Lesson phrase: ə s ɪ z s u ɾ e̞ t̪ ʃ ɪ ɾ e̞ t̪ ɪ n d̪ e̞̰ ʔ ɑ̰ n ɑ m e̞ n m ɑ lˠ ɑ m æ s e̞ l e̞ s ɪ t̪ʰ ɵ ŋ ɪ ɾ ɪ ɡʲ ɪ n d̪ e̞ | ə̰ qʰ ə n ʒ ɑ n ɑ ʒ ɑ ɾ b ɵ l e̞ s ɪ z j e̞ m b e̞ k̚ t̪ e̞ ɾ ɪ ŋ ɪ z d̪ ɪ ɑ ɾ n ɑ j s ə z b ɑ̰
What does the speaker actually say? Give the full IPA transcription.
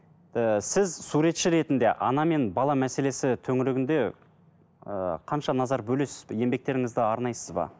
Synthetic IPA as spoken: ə s ɪ z s u ɾ e̞ t̪ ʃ ɪ ɾ e̞ t̪ ɪ n d̪ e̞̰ ʔ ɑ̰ n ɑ m e̞ n b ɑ lˠ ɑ m æ s e̞ l e̞ s ɪ t̪ʰ ɵ ŋ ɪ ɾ ɪ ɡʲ ɪ n d̪ e̞ | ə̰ qʰ ɑ n ʃ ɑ n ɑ z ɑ ɾ b ɵ l e̞ s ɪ z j e̞ m b e̞ k̚ t̪ e̞ ɾ ɪ ŋ ɪ z d̪ ɪ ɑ ɾ n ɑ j s ə z b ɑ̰